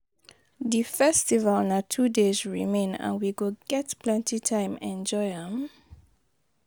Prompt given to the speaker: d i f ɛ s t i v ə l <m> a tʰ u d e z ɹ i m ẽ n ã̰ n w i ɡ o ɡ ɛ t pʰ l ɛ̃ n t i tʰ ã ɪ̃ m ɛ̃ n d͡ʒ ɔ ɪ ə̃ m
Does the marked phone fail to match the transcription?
yes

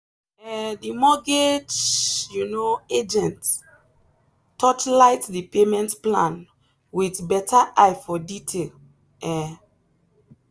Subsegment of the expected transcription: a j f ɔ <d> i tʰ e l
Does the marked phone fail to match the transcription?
no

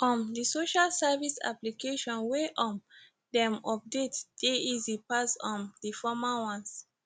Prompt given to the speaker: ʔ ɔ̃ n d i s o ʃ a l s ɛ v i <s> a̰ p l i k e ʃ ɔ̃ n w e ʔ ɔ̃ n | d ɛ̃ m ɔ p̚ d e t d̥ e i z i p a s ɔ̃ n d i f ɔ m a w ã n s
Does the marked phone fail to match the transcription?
no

